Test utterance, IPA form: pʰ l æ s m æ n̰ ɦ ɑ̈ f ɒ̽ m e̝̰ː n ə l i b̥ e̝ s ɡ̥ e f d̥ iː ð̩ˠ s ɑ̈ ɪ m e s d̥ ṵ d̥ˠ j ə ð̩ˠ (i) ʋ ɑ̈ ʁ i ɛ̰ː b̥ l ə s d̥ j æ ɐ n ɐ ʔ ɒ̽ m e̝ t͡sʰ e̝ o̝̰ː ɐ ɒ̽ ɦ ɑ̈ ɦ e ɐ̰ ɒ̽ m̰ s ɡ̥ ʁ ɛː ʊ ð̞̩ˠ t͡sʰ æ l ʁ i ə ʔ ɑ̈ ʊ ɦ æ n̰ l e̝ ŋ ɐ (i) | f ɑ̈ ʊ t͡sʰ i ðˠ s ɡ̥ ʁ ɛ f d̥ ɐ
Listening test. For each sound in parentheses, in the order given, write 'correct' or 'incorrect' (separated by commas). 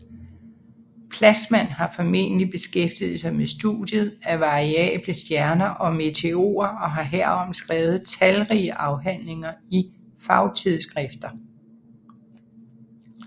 incorrect, correct